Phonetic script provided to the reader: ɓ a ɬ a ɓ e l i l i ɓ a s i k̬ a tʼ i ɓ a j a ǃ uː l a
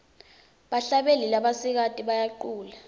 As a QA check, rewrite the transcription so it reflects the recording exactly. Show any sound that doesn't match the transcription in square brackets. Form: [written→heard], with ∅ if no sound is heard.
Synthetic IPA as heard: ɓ a ɬ a ɓ e l i l [i→a] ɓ a s i k̬ a tʼ i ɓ a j a ǃ uː l a